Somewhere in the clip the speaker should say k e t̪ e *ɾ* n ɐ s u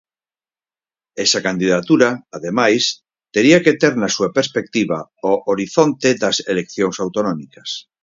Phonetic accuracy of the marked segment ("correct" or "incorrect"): correct